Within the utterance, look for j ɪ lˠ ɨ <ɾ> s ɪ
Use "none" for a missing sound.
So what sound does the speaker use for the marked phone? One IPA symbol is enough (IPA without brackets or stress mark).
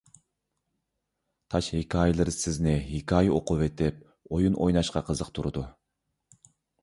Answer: ɾ